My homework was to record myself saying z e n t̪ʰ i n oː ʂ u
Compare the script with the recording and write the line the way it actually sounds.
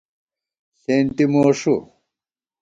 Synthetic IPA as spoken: s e n t̪ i m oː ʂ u